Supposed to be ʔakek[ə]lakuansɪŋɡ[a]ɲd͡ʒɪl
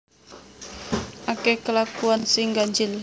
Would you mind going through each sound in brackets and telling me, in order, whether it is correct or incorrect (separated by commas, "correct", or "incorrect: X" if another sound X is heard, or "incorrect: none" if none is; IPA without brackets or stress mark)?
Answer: correct, correct